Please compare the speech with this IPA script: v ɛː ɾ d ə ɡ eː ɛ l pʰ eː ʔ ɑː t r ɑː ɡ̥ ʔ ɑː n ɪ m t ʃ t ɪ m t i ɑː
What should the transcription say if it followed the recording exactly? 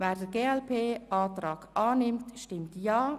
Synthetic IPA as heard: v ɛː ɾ d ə ɡ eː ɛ l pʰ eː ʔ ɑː t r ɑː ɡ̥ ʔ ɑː n ɪ m t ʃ t ɪ m t j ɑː